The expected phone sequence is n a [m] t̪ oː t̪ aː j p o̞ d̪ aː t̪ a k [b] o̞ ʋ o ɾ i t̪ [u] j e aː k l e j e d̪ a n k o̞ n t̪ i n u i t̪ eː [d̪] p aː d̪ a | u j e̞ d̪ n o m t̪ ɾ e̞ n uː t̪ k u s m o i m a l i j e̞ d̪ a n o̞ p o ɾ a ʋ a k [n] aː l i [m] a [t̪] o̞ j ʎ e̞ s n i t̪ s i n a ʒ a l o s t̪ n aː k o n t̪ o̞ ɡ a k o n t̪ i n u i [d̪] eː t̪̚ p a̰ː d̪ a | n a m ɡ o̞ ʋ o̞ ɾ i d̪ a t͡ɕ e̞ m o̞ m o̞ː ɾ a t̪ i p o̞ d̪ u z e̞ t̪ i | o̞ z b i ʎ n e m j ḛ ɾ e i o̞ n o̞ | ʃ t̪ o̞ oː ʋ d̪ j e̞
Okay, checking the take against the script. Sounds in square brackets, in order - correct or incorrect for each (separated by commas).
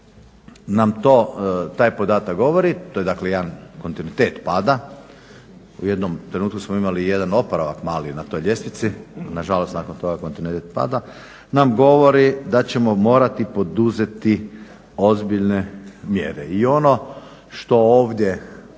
correct, incorrect, incorrect, incorrect, incorrect, incorrect, correct, incorrect